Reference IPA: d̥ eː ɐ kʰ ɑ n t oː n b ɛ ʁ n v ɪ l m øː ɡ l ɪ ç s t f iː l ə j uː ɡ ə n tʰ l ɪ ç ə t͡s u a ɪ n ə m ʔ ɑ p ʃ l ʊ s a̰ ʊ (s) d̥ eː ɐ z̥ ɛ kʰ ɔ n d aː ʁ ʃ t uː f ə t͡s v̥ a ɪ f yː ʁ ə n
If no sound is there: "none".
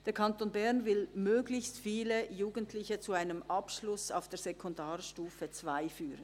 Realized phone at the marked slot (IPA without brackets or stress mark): f